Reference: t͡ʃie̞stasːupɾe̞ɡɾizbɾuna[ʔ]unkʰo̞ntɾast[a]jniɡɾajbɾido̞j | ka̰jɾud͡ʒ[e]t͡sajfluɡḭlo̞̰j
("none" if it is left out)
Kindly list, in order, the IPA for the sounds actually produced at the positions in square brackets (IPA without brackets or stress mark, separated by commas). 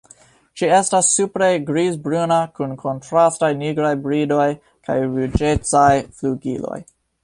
k, a, e